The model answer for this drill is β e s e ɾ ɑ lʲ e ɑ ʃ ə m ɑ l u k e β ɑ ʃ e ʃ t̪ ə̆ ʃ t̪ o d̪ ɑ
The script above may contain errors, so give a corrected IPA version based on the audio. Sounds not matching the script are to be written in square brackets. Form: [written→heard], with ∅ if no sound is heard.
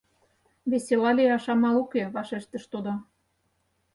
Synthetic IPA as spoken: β e s e [ɾ→l] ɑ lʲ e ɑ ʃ [ə→ɑ] m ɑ l u k e β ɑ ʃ e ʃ t̪ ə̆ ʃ t̪ o d̪ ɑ